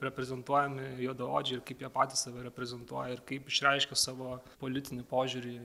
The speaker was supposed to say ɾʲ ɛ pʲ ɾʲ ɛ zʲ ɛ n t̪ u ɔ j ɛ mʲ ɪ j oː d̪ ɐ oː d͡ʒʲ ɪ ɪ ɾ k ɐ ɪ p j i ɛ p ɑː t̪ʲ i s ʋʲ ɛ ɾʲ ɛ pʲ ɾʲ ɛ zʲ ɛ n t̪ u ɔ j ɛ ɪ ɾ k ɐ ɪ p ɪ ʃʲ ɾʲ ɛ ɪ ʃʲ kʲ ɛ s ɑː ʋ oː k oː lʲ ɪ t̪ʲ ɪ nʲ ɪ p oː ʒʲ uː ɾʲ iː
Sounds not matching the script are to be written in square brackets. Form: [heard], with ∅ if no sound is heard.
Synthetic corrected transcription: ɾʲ ɛ pʲ ɾʲ ɛ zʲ ɛ n t̪ u ɔ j ɛ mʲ ɪ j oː d̪ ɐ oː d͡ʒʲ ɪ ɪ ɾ k ɐ ɪ p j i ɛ p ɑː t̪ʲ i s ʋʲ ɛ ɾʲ ɛ pʲ ɾʲ ɛ zʲ ɛ n t̪ u ɔ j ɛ ɪ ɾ k ɐ ɪ p ɪ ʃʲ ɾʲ ɛ ɪ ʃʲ kʲ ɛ s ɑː ʋ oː [p] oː lʲ ɪ t̪ʲ ɪ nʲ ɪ p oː ʒʲ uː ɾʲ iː